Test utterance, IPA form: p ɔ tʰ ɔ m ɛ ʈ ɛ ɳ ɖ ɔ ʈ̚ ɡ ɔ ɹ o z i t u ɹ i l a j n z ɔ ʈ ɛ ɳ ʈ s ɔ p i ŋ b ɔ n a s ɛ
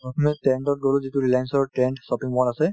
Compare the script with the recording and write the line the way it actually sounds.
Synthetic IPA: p ɔ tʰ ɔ m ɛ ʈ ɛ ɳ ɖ ɔ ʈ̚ ɡ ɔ l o z i t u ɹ i l a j n s ɔ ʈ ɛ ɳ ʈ s ɔ p i ŋ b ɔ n a s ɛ

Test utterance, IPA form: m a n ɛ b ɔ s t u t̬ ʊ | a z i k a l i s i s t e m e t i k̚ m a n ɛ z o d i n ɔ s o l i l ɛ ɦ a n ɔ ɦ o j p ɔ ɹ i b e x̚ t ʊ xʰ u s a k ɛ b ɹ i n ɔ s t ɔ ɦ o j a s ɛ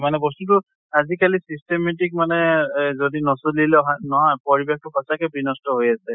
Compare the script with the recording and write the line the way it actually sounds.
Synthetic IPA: m a n ɛ b ɔ s t u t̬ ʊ | a z i k a l i s i s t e m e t i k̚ m a n ɛ z o d i n ɔ s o l i l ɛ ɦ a n ɔ ɦ ɔ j p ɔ ɹ i b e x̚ t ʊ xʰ ɔ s a k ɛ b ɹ i n ɔ s t ɔ ɦ o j a s ɛ

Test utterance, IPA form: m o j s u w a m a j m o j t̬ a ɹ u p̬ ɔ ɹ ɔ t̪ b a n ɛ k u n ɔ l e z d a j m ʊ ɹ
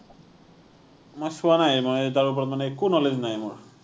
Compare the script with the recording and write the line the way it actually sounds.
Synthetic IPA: m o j s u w a n a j m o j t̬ a ɹ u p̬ ɔ ɹ ɔ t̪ m a n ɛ k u n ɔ l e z n a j m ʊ ɹ

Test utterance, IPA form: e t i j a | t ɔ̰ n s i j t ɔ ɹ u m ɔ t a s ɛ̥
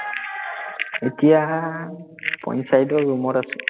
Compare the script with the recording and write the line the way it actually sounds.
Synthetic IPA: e t i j a | p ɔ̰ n s a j d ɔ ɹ u m ɔ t a s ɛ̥

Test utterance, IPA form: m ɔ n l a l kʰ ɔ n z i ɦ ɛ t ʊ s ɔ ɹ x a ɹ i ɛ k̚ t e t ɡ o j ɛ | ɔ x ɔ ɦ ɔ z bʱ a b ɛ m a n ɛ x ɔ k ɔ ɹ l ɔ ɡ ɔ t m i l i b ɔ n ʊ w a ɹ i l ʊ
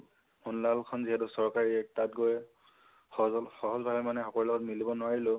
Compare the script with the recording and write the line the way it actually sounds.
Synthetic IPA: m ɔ n l a l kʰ ɔ n z i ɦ ɛ t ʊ s ɔ ɹ k a ɹ i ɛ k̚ t a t ɡ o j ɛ | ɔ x ɔ ɦ ɔ z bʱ a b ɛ m a n ɛ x ɔ k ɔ ɹ l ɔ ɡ ɔ t m i l i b ɔ n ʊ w a ɹ i l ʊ

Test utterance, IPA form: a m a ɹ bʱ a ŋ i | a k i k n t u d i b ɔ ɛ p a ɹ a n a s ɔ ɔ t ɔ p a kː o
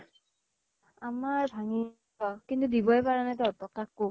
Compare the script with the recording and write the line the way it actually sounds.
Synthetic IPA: a m a ɹ bʱ a ŋ i | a k i n t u d i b ɔ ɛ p a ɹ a n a t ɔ ɔ t ɔ k a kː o

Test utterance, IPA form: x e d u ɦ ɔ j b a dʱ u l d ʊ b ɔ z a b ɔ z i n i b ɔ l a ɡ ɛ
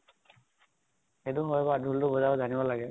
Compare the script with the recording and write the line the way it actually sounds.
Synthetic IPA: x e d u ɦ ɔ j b a dʱ u l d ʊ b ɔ z a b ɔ z a n i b ɔ l a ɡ ɛ

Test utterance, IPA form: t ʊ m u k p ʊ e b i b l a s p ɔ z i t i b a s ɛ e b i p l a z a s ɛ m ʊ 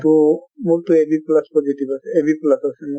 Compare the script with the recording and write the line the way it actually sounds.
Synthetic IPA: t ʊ m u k t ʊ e b i p l a s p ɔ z i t i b a s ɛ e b i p l a s a s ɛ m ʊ

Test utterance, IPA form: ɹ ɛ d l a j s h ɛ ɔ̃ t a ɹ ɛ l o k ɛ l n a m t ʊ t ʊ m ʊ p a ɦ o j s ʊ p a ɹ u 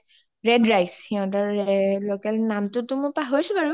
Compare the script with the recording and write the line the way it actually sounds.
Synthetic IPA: ɹ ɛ d ɹ a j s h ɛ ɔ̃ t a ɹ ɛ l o k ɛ l n a m t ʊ t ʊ m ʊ p a ɦ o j s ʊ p a ɹ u

